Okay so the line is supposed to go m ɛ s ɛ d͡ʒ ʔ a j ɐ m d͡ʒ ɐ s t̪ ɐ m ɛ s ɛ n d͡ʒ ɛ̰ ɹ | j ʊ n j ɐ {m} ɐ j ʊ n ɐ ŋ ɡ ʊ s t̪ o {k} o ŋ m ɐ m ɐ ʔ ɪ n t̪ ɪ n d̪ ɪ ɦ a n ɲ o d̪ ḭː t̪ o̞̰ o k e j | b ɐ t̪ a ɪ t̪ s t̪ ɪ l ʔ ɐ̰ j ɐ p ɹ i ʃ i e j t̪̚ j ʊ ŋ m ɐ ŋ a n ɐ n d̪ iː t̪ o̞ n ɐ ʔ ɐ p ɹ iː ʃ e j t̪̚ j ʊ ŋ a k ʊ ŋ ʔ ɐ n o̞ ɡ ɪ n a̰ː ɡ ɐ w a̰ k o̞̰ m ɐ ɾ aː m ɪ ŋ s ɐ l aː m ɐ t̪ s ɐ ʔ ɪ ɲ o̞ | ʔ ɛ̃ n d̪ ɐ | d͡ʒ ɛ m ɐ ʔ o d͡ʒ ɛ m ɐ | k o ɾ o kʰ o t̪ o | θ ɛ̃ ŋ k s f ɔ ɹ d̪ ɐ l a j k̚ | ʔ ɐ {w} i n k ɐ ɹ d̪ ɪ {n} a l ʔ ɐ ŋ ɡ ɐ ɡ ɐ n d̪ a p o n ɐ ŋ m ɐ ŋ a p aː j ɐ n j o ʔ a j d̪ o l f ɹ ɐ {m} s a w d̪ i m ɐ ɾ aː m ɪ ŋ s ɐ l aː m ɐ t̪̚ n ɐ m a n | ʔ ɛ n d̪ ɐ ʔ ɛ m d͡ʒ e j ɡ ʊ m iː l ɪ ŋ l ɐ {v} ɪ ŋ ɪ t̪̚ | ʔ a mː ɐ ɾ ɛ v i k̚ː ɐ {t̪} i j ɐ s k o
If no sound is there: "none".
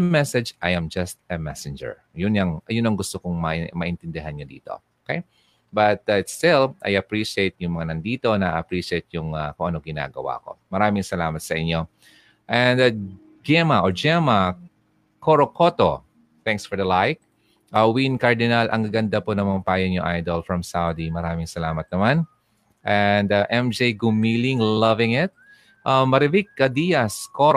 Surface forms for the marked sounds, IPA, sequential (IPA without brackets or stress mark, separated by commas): ŋ, k, w, n, m, v, d̪